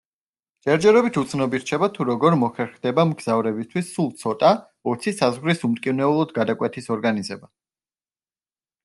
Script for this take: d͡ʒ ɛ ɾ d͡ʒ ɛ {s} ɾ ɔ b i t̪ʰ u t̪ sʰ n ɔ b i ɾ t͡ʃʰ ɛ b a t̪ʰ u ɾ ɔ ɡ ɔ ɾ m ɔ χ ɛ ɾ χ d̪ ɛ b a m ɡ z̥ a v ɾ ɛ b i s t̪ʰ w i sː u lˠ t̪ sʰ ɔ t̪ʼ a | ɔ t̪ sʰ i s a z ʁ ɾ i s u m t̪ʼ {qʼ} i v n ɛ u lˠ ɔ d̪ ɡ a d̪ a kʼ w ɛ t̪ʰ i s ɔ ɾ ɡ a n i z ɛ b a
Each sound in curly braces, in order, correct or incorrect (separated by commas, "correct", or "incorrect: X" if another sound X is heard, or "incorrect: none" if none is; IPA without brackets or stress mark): incorrect: none, incorrect: kʼ